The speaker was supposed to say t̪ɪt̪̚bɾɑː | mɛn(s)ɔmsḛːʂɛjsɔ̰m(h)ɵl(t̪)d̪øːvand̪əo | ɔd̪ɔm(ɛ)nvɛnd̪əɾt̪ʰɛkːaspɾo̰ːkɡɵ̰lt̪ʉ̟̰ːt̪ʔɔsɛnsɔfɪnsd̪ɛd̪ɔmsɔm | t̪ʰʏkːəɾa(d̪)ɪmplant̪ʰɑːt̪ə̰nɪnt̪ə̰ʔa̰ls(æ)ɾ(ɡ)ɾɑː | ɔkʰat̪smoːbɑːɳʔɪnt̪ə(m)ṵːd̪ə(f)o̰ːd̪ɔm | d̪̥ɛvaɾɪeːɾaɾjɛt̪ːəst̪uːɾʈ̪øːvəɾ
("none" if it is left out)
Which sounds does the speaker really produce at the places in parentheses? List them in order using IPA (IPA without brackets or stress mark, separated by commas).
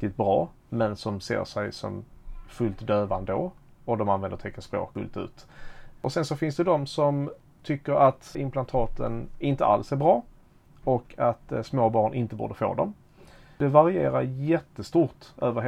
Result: s, f, t̪, a, t̪, æ, b, b, f